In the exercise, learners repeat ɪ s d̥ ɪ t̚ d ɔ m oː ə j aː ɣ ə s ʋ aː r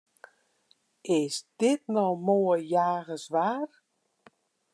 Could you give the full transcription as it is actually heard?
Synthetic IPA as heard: ɪ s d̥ ɪ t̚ n ɔ m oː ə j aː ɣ ə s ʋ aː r